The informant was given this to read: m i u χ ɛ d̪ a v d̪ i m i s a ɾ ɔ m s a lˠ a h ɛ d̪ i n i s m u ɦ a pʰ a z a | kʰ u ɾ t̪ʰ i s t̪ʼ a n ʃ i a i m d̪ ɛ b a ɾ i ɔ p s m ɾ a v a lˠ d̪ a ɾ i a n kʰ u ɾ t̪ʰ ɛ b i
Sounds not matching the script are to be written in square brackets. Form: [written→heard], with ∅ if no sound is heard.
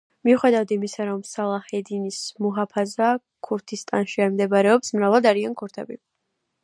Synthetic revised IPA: m i u χ ɛ d̪ a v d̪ i m i s a ɾ ɔ m s a lˠ a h ɛ d̪ i n i s m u ɦ a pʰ a z a | kʰ u ɾ t̪ʰ i s t̪ʼ a n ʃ i a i m d̪ ɛ b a ɾ [i→ɛ] ɔ p s m ɾ a v a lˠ d̪ a ɾ i a n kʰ u ɾ t̪ʰ ɛ b i

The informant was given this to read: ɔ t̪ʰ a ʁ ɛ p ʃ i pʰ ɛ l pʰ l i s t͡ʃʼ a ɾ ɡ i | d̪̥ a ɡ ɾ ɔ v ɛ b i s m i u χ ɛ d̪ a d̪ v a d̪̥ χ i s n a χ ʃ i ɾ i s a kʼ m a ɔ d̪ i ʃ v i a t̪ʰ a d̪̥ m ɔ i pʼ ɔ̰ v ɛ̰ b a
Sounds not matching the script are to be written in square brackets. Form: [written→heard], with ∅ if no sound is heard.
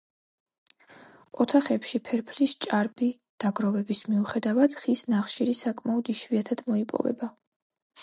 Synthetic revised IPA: ɔ t̪ʰ a [ʁ→χ] ɛ p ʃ i pʰ ɛ [l→ɾ] pʰ l i s t͡ʃʼ a ɾ [ɡ→b] i | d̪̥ a ɡ ɾ ɔ v ɛ b i s m i u χ ɛ d̪ a [d̪→∅] v a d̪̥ χ i s n a χ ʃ i ɾ i s a kʼ m a ɔ d̪ i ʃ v i a t̪ʰ a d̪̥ m ɔ i pʼ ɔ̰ v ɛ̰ b a

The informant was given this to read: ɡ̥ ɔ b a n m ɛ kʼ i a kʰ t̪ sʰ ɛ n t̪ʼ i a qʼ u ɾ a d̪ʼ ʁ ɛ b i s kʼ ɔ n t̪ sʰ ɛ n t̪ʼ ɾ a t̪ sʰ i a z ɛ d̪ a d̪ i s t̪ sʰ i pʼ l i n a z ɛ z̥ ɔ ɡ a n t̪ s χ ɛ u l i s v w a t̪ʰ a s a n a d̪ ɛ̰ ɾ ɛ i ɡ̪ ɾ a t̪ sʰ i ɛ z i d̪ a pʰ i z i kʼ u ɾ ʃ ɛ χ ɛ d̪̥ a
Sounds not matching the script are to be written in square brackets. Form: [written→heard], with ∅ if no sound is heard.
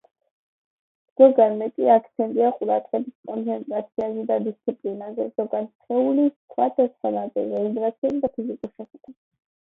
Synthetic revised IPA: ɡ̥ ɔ [b→ɡ] a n m ɛ kʼ i a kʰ t̪ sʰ ɛ n t̪ʼ i a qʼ u ɾ a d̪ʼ ʁ ɛ b i s kʼ ɔ n t̪ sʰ ɛ n t̪ʼ ɾ a t̪ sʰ i a z ɛ d̪ a d̪ i s t̪ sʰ i pʼ l i n a z ɛ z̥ ɔ ɡ a n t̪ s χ ɛ u l i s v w a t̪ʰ a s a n a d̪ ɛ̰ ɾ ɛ i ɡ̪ ɾ a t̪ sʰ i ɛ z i d̪ a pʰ i z i kʼ u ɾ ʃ ɛ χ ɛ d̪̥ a

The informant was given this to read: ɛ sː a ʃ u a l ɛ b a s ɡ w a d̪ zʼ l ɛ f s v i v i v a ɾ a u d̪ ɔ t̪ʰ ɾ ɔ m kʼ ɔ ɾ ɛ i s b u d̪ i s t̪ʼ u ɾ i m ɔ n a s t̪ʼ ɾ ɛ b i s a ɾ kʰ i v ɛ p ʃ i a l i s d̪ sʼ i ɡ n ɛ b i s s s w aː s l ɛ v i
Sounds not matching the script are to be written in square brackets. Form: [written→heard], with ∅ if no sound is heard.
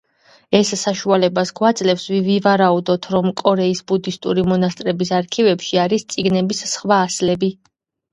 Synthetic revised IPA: ɛ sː a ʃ u a l ɛ b a s ɡ w a d̪ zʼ l ɛ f s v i v i v a ɾ a u d̪ ɔ t̪ʰ ɾ ɔ m kʼ ɔ ɾ ɛ i s b u d̪ i s t̪ʼ u ɾ i m ɔ n a s t̪ʼ ɾ ɛ b i s a ɾ kʰ i v ɛ p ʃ i a [l→ɾ] i s [d̪→t̪] sʼ i ɡ n ɛ b i s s [s→χ] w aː s l ɛ [v→b] i

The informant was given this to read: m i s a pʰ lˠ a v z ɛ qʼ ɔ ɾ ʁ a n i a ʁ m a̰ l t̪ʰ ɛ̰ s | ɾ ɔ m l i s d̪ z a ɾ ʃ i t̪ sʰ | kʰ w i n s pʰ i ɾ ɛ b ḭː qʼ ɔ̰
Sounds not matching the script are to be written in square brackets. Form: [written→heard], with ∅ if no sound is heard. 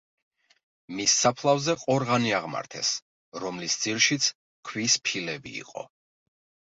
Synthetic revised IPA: m i [s→sː] a pʰ lˠ a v z ɛ qʼ ɔ ɾ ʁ a n i a ʁ m a̰ [l→ɾ] t̪ʰ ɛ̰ s | ɾ ɔ m l i s d̪ z [a→i] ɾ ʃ i t̪ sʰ | kʰ w i [n→∅] s pʰ i [ɾ→l] ɛ b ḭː qʼ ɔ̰

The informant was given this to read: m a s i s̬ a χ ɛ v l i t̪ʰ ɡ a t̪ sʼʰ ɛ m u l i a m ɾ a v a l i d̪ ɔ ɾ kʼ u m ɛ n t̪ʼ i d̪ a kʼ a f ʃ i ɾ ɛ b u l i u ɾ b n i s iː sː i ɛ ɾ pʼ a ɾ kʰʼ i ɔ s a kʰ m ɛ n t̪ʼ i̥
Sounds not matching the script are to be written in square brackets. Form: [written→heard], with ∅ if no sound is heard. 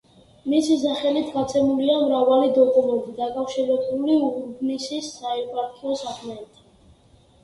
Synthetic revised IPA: m [a→i] s i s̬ a χ ɛ [v→∅] l i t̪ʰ ɡ a t̪ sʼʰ ɛ m u l i a m ɾ a v a l i d̪ ɔ [ɾ→∅] kʼ u m ɛ n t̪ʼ i d̪ a kʼ a f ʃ i ɾ ɛ b u l i u ɾ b n i s [iː→i] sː [i→a] ɛ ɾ pʼ a ɾ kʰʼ i ɔ s a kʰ m ɛ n t̪ʼ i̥

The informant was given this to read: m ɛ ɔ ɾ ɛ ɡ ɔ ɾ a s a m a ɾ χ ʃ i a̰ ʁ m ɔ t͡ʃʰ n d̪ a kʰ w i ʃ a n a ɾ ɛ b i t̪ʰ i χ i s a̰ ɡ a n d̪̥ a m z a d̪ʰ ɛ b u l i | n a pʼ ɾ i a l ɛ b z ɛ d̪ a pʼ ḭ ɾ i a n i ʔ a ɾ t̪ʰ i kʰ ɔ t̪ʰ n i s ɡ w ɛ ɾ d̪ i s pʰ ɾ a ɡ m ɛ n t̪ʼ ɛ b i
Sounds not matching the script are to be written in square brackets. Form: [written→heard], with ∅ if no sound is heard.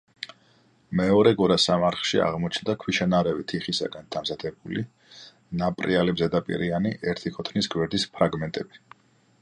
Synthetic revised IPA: m ɛ ɔ ɾ ɛ ɡ ɔ ɾ a s a m a ɾ χ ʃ i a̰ ʁ m ɔ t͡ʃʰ n d̪ a kʰ w i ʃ a n a ɾ ɛ [b→v] i t̪ʰ i χ i s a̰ ɡ a n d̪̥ a m z a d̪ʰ ɛ b u l i | n a pʼ ɾ i a l ɛ b z ɛ d̪ a pʼ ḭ ɾ i a n i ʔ [a→ɛ] ɾ t̪ʰ i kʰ ɔ t̪ʰ n i s ɡ w ɛ ɾ d̪ i s pʰ ɾ a ɡ m ɛ n t̪ʼ ɛ b i

